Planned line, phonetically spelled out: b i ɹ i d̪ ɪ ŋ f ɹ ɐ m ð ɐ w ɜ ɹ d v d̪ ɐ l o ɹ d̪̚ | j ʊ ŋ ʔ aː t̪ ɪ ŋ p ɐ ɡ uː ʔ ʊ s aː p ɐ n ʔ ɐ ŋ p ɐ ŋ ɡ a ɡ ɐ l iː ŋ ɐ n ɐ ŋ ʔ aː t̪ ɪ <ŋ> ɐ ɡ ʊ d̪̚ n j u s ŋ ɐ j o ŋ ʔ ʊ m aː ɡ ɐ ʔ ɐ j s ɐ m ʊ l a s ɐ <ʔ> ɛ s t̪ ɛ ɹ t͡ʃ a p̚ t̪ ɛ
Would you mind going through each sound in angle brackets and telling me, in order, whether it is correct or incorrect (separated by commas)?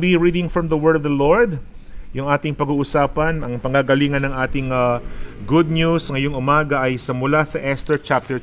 correct, correct